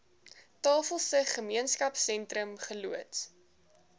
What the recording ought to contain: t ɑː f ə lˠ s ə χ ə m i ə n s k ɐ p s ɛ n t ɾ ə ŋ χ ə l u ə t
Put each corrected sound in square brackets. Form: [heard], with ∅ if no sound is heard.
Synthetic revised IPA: t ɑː f ə lˠ s ə χ ə m i ə n s k ɐ p s ɛ n t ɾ ə [m] χ ə l u ə t